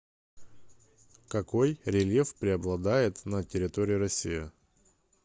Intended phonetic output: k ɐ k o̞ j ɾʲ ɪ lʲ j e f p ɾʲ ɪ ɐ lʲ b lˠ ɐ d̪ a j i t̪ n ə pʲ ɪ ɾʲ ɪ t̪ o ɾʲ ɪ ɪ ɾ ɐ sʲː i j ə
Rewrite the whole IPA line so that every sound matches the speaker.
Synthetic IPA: k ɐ k o̞ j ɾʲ ɪ lʲ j e f p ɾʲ ɪ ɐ b lˠ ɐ d̪ a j ɪ t̪ n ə tʲ ɪ ɾʲ ɪ t̪ o ɾʲ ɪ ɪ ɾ ɐ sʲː i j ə

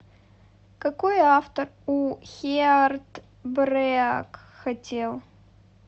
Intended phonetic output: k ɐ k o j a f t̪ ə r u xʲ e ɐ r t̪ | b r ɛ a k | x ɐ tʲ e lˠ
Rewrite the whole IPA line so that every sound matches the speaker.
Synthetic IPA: k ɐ k o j a f t̪ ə r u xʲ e a r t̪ | b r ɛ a k | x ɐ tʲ e lˠ

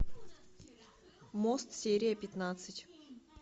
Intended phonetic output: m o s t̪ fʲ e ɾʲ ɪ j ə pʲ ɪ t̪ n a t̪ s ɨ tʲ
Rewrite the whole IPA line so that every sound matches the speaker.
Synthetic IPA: m o s t̪ sʲ e ɾʲ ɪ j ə pʲ ɪ t̪ n a t̪ s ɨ tʲ

